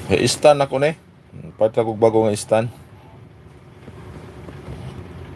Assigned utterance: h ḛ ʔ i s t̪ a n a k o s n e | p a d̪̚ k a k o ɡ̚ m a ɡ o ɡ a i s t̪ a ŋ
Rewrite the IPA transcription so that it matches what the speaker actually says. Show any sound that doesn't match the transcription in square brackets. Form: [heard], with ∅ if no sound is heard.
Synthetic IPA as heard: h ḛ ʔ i s t̪ a n a k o [∅] n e | p a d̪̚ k a k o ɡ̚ [b] a ɡ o [ŋ] a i s t̪ a [n]